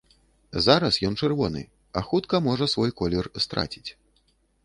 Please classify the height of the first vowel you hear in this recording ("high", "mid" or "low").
low